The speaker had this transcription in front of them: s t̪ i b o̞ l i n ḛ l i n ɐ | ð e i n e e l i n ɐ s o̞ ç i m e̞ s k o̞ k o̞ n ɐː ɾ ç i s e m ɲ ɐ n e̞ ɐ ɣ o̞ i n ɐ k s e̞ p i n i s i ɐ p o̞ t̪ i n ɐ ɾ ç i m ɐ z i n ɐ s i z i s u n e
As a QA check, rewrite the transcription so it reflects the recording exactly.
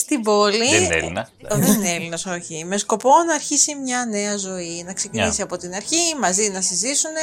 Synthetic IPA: s t̪ i b o̞ l i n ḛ l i n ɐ | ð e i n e e l i n ɐ s o̞ ç i m e̞ s k o̞ p o̞ n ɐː ɾ ç i s i m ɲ ɐ n e̞ ɐ z o̞ i n ɐ k s e̞ c i n i s i ɐ p o̞ t̪ i n ɐ ɾ ç i m ɐ z i n ɐ s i z i s u n e